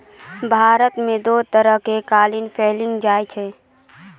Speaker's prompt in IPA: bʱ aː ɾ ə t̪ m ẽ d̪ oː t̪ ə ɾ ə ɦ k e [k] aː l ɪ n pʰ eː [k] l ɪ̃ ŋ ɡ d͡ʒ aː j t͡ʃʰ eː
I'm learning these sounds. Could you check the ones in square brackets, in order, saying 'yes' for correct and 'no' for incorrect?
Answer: yes, no

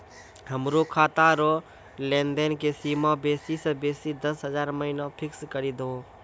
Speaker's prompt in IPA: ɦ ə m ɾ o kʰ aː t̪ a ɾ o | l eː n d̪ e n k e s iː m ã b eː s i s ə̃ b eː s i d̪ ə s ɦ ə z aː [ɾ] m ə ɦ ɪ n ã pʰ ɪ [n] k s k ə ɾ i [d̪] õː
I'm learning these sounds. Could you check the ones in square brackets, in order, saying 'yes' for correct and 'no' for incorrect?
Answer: yes, no, yes

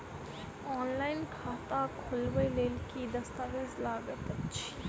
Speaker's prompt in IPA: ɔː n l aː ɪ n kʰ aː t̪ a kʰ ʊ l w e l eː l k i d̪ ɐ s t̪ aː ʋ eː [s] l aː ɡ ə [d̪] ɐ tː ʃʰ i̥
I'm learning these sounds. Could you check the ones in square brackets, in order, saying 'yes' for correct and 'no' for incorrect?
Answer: no, no

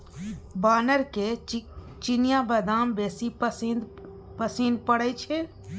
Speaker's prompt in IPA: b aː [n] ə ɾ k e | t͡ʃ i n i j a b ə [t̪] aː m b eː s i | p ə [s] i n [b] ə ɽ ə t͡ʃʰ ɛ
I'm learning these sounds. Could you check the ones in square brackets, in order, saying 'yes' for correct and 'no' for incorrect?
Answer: yes, no, yes, no

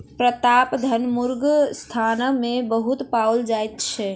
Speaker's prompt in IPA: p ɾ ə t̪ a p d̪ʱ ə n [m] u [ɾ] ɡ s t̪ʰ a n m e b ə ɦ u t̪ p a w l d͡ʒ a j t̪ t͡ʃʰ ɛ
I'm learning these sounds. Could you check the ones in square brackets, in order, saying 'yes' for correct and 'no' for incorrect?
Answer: yes, yes

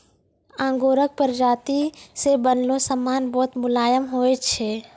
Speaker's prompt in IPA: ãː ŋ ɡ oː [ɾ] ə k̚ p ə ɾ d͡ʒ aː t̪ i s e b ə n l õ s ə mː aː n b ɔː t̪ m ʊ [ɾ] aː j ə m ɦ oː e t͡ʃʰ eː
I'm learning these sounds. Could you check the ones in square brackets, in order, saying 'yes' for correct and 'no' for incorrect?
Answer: yes, no

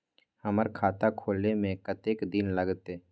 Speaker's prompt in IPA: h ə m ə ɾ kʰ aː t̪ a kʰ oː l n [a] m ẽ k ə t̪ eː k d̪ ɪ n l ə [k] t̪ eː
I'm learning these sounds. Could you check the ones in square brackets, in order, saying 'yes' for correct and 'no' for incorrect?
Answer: no, no

